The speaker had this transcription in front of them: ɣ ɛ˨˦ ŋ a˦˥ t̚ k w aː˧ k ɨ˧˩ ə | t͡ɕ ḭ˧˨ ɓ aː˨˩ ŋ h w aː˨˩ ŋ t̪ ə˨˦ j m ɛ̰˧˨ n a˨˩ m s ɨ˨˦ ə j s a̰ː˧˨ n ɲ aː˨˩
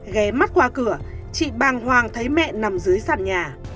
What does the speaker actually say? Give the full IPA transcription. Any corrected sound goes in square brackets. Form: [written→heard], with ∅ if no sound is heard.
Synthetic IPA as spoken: ɣ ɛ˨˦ [ŋ→m] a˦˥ t̚ k w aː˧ k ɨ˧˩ ə | t͡ɕ ḭ˧˨ ɓ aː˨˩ ŋ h w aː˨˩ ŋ [t̪→t̪ʰ] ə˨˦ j m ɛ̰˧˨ n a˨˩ m [s→z] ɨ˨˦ ə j s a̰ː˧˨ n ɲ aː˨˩

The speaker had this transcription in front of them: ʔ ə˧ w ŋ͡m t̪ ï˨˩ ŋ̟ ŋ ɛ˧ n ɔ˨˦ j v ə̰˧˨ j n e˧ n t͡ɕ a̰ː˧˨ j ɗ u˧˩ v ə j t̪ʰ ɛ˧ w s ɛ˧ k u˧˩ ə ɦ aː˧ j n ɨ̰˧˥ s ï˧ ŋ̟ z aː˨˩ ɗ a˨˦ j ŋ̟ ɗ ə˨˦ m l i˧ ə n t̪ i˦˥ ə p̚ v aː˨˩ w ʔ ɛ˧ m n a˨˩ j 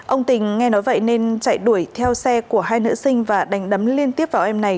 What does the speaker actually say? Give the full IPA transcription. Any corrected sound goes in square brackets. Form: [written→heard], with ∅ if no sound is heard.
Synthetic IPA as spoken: ʔ ə˧ w ŋ͡m t̪ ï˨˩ ŋ̟ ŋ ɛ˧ n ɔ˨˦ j v ə̰˧˨ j n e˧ n t͡ɕ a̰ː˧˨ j ɗ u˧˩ [v→∅] ə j t̪ʰ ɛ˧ w s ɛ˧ k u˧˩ ə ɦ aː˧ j n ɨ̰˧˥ s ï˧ ŋ̟ [z→v] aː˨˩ ɗ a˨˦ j ŋ̟ ɗ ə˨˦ m l i˧ ə n t̪ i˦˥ ə p̚ v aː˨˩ w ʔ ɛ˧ m n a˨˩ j

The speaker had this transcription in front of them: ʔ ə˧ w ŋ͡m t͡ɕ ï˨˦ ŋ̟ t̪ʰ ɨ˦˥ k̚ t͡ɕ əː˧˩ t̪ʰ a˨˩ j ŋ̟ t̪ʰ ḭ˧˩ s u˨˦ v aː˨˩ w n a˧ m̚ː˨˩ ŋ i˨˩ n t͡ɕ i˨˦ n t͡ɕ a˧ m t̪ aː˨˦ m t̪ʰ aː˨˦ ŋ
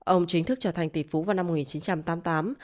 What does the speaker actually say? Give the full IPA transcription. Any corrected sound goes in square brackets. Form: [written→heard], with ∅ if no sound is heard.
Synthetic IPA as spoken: ʔ ə˧ w ŋ͡m t͡ɕ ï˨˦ ŋ̟ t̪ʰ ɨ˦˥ k̚ t͡ɕ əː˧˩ t̪ʰ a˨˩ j ŋ̟ [t̪ʰ→t̪] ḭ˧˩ [s→f] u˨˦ v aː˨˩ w n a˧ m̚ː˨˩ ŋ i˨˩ n t͡ɕ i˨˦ n t͡ɕ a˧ m t̪ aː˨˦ m [t̪ʰ→t̪] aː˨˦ [ŋ→m]

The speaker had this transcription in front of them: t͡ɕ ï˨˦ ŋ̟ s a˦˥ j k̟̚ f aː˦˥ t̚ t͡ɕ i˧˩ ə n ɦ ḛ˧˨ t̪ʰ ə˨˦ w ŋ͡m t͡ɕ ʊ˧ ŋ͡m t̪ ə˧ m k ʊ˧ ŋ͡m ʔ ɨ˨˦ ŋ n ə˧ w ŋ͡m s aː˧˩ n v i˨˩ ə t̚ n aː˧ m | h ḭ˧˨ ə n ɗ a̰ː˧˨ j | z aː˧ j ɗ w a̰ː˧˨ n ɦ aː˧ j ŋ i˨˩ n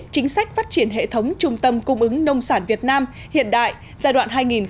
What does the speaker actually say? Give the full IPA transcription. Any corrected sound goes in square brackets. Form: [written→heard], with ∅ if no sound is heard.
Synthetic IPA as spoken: t͡ɕ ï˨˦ ŋ̟ s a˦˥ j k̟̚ f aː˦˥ t̚ t͡ɕ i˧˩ ə n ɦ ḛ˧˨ t̪ʰ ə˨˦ w ŋ͡m t͡ɕ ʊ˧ ŋ͡m t̪ ə˧ m k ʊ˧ ŋ͡m ʔ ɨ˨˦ ŋ n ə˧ w ŋ͡m s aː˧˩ n v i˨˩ ə t̚ n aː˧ m | h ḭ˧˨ ə n ɗ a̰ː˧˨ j | z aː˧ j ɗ w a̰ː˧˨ n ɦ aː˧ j ŋ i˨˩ n

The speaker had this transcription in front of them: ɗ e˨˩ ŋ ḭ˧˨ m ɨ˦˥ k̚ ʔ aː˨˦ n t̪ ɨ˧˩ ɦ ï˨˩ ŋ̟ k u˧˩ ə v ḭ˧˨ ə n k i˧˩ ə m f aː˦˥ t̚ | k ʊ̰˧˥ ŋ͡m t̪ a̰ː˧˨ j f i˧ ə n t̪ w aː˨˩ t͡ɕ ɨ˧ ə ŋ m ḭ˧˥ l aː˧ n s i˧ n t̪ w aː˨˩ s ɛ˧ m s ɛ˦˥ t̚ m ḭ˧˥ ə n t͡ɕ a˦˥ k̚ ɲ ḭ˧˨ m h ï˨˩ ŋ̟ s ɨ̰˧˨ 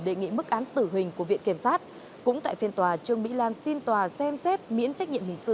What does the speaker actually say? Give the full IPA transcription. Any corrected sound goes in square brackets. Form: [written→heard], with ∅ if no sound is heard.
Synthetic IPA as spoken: ɗ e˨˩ ŋ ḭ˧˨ m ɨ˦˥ k̚ ʔ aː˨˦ n t̪ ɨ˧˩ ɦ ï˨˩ ŋ̟ k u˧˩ ə v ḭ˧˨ ə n k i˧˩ ə m [f→s] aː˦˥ t̚ | k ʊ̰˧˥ ŋ͡m t̪ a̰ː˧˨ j f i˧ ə n t̪ w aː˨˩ t͡ɕ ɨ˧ ə ŋ m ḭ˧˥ l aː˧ n s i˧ n t̪ w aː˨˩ s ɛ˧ m s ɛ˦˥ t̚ m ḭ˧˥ ə n t͡ɕ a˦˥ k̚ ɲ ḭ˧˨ m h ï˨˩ ŋ̟ s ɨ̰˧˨

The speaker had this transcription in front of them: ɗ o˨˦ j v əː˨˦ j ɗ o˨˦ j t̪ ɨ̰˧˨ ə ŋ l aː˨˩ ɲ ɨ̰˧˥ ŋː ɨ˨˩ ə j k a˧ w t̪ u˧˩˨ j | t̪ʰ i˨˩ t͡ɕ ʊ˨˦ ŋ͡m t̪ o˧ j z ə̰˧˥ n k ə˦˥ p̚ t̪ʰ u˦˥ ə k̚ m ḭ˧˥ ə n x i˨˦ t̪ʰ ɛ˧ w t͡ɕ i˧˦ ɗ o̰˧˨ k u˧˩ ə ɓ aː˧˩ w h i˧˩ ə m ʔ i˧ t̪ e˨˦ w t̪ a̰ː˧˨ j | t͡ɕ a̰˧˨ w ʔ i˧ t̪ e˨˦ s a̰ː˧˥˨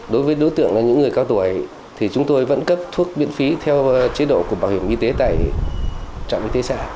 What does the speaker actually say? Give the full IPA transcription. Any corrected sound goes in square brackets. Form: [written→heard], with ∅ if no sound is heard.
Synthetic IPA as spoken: ɗ o˨˦ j v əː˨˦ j ɗ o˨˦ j t̪ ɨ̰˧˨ ə ŋ l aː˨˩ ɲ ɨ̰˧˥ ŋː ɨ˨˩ ə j k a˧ w t̪ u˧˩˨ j | t̪ʰ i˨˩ t͡ɕ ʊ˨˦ ŋ͡m t̪ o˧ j [z→v] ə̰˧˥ n k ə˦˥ p̚ t̪ʰ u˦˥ ə k̚ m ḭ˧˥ ə n [x→f] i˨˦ t̪ʰ ɛ˧ w t͡ɕ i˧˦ ɗ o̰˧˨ k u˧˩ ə ɓ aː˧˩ w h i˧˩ ə m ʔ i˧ t̪ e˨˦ [w→∅] t̪ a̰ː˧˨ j | t͡ɕ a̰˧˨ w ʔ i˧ t̪ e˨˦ s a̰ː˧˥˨

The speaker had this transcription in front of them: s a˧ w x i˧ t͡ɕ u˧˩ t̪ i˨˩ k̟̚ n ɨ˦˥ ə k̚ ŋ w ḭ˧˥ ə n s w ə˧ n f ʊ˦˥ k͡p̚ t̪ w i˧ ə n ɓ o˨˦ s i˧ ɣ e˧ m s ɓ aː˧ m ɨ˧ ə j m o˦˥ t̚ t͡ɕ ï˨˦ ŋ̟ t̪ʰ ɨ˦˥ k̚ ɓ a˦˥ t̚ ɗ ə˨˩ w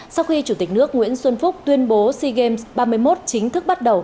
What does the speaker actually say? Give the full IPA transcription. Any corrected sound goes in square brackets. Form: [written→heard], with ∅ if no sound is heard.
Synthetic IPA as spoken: s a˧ w x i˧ t͡ɕ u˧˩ t̪ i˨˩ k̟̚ n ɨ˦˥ ə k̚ ŋ w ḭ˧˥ ə n s w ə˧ n f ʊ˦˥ k͡p̚ t̪ w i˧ ə n ɓ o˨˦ s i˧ ɣ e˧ m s ɓ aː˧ m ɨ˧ ə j m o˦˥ t̚ t͡ɕ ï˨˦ ŋ̟ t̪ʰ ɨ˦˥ k̚ ɓ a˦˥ t̚ ɗ ə˨˩ w

